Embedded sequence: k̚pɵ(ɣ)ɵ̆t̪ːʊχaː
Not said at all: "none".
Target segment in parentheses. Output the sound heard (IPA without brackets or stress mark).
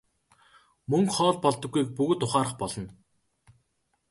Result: ɣ